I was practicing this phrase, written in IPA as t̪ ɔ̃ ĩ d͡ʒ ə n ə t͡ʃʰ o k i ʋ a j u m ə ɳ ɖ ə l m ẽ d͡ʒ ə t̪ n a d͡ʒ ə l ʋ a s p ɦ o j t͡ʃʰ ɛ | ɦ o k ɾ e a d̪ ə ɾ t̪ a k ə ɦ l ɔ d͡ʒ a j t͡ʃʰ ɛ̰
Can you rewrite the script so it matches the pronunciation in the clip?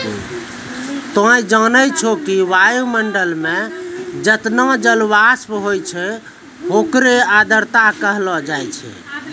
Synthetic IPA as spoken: t̪ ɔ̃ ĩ d͡ʒ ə n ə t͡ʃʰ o k i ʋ a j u m ə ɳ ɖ ə l m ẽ d͡ʒ ə t̪ n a d͡ʒ ə l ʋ a s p ɦ o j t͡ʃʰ ɛ | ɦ o k ɾ e a d̪ ə ɾ t̪ a k ə ɦ l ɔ d͡ʒ a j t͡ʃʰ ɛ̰